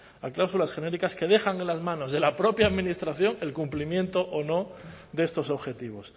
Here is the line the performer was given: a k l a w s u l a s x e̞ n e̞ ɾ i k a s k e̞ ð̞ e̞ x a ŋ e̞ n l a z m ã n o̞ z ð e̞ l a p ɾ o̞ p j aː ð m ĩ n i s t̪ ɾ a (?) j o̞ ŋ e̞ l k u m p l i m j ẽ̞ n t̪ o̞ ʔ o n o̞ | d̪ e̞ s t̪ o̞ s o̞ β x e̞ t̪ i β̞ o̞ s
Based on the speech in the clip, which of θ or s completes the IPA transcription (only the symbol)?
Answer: θ